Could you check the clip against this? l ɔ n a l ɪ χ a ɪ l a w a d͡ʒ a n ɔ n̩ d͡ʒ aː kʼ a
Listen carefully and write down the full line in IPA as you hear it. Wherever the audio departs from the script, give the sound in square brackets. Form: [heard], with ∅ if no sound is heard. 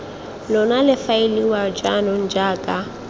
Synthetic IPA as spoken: l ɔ n a l ɪ [f] a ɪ l [i] w a d͡ʒ a n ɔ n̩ d͡ʒ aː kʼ a